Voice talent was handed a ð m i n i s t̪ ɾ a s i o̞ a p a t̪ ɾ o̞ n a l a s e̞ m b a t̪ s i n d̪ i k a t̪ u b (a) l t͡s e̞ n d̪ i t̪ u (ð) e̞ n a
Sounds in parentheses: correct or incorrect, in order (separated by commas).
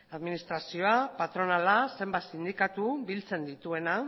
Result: incorrect, incorrect